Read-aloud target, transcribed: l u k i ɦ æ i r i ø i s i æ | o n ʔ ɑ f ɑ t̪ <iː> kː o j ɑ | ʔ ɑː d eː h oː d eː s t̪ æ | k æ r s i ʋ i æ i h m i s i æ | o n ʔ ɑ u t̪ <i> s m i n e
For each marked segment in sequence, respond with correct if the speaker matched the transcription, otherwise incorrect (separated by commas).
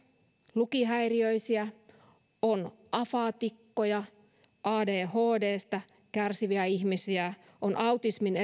incorrect, correct